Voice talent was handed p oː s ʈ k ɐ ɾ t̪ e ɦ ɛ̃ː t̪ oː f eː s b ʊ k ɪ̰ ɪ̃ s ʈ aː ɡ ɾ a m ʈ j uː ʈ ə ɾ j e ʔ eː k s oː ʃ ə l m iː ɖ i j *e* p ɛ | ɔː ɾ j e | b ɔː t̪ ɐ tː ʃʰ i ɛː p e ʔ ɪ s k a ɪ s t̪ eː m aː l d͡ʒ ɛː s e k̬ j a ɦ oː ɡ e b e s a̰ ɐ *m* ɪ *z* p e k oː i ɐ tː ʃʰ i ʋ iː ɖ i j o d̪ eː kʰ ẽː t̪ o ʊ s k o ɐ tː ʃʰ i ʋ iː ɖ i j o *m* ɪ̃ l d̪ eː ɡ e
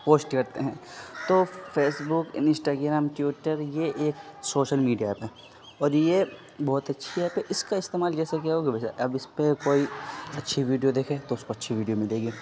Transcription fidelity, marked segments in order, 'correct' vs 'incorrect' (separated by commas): incorrect, incorrect, incorrect, correct